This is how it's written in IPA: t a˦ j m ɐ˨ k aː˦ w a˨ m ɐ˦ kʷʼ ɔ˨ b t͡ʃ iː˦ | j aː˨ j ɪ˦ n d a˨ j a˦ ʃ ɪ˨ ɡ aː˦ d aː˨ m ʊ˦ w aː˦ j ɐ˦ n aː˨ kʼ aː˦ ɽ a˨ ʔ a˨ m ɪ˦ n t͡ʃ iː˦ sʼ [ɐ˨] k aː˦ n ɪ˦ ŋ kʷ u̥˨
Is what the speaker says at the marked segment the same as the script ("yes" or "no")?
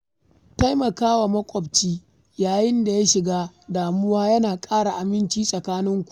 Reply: yes